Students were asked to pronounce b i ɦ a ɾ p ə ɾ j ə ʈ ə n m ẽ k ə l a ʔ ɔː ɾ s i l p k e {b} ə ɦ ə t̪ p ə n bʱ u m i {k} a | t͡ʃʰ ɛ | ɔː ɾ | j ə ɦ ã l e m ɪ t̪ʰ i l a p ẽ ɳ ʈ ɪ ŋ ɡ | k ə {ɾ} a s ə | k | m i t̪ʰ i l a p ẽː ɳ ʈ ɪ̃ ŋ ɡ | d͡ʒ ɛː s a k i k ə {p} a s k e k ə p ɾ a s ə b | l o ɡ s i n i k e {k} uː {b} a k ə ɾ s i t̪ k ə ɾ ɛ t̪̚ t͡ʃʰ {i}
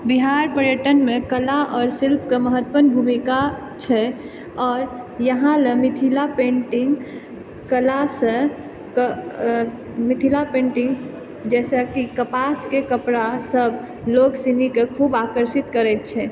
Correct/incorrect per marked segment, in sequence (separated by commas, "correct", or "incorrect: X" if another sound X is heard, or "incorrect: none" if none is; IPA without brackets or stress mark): incorrect: m, correct, incorrect: l, correct, incorrect: kʰ, correct, incorrect: ɛ